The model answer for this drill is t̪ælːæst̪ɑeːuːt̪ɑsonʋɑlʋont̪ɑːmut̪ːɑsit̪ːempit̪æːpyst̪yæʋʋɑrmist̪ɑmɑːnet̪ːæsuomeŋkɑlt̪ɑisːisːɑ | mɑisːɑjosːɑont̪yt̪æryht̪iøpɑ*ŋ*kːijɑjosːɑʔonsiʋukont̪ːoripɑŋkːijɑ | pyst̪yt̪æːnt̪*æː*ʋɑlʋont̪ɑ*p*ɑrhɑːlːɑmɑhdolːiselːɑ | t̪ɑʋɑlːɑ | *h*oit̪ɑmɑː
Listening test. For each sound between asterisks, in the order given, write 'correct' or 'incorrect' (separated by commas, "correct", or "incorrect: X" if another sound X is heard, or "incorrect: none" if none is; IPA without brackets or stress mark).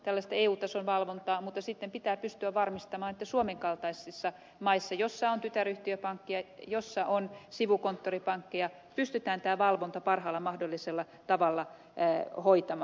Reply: correct, correct, correct, correct